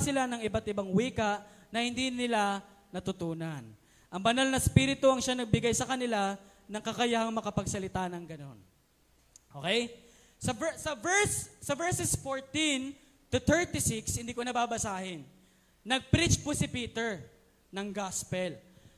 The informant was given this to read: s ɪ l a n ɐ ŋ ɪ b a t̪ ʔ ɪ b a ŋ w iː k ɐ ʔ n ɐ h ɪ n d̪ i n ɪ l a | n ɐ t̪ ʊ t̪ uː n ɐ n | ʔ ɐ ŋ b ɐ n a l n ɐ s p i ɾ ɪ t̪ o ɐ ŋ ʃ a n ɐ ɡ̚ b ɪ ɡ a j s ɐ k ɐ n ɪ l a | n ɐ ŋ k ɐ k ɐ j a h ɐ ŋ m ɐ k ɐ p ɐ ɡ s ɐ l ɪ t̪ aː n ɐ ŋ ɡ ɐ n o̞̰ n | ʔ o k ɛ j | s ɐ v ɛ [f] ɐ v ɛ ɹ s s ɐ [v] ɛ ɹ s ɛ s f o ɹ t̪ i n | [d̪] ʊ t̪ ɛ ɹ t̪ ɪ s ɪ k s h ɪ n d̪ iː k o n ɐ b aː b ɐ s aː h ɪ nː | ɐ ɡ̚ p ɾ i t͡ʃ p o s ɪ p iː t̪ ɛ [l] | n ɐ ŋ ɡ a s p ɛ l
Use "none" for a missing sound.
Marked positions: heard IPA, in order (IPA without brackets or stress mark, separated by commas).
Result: s, v, t̪, ɹ